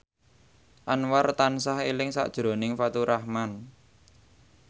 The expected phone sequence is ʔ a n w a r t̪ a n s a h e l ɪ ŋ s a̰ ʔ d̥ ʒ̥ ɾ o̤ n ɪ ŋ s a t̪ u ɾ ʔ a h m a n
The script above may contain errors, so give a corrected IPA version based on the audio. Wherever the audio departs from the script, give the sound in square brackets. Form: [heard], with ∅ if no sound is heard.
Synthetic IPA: ʔ a n w a r t̪ a n s a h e l ɪ ŋ s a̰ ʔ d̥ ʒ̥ ɾ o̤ n ɪ ŋ [f] a t̪ u ɾ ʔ a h m a n